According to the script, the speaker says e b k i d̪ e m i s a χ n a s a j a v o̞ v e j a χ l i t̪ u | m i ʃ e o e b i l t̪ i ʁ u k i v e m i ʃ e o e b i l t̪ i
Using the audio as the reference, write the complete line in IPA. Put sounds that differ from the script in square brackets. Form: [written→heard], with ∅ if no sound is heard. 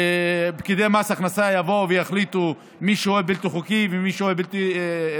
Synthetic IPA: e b k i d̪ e m [i→a] s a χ n a s a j a v o̞ v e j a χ l i t̪ u | m i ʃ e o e b i l t̪ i [ʁ→χ] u k i v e m i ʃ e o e b i l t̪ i

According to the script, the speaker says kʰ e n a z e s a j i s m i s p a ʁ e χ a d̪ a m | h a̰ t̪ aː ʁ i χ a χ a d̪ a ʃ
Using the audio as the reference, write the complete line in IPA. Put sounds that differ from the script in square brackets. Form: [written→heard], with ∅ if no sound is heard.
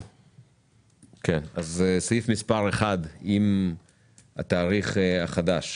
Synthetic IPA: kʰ e n a z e s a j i [s→f] m i s p a ʁ e χ a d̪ [a→i] m | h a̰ t̪ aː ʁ i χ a χ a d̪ a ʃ

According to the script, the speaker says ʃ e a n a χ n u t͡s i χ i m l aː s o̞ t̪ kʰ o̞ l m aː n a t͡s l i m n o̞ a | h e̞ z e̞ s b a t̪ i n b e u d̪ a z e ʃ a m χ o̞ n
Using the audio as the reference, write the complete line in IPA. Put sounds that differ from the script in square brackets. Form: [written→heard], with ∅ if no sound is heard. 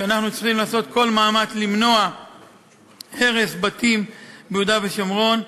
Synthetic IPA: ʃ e a n a χ n u t͡s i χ i m l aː s o̞ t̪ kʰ o̞ l m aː [n→m] a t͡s l i m n o̞ a | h e̞ [z→ʁ] e̞ s b a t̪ i [n→m] b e u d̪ a [z→v] e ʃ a m [χ→ʁ] o̞ n

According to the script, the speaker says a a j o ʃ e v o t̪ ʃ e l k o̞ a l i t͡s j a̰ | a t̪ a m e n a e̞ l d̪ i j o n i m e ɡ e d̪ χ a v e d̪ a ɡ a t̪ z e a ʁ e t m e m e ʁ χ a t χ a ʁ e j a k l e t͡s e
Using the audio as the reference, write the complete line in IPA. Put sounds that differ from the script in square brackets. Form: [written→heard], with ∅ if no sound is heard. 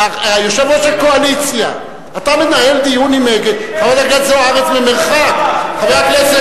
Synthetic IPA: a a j o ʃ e v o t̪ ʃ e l k o̞ a l i t͡s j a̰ | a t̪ a m e n a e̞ l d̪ i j [o→u] n i m e ɡ e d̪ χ a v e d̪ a ɡ a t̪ z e a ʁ e [t→t͡s] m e m e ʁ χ a [t→k] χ a [ʁ→v] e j a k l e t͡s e

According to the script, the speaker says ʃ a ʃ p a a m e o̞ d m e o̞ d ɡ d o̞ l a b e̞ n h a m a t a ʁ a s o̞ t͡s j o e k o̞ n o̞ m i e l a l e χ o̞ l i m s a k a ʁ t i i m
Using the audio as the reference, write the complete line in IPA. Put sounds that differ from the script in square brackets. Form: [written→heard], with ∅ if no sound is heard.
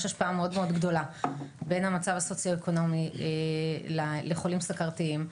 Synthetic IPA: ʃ a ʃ p a a m e o̞ d m e o̞ d ɡ d o̞ l a b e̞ n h a m a [t→t͡s] a [ʁ→v] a s o̞ t͡s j o e k o̞ n o̞ m i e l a l e χ o̞ l i m s a k a ʁ t i i m

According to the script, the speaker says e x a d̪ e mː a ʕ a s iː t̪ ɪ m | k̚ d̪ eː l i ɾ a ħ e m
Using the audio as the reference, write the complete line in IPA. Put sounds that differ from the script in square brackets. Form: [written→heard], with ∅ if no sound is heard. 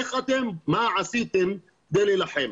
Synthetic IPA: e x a [d̪→t̪] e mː a ʕ a s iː t̪ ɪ m | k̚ d̪ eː l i [ɾ→l] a ħ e m

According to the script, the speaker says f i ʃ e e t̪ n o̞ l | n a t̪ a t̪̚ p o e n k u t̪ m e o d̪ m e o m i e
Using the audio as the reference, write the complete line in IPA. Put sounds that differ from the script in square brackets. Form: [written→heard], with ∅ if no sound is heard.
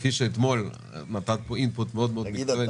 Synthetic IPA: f i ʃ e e t̪ [n→m] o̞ l | n a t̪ a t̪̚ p o [e→i] n [k→p] u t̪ m e o d̪ m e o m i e

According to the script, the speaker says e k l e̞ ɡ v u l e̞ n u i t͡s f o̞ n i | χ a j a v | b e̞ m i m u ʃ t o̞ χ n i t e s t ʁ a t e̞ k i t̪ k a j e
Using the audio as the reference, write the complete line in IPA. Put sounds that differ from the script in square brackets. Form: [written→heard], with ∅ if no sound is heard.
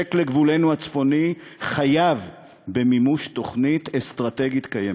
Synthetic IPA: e k l e̞ ɡ v u l e̞ n u [i→a] t͡s f o̞ n i | χ a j a v | b e̞ m i m u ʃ t o̞ χ n i t e s t ʁ a t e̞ [k→ɡ] i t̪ k a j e

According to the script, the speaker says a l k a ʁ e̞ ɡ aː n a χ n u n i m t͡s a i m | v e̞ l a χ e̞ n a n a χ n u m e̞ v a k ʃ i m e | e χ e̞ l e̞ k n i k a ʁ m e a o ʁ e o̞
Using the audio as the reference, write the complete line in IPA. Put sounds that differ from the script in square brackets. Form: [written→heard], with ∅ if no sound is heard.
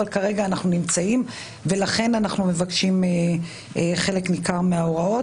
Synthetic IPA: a l k a ʁ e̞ ɡ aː n a χ n u n i m t͡s a i m | v e̞ l a χ e̞ n a n a χ n u m e̞ v a k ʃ i m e | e χ e̞ l e̞ k n i k a ʁ m e a o ʁ [e→a] o̞

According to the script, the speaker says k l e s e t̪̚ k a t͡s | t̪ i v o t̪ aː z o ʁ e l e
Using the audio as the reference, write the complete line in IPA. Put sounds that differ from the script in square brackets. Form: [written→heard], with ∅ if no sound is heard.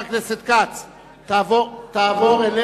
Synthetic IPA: k l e s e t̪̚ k a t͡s | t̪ [i→a] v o t̪ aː [z→v] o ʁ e l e

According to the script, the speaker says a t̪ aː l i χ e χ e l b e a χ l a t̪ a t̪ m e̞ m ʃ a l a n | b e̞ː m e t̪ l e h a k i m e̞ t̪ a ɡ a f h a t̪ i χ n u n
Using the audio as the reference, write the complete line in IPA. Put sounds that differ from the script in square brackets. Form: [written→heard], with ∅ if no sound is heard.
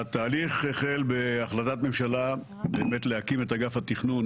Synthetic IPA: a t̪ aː l i χ e χ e l b e a χ l a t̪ a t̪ m e̞ m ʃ a l a [n→∅] | b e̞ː m e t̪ l e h a k i m e̞ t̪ a ɡ a f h a t̪ i χ n u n

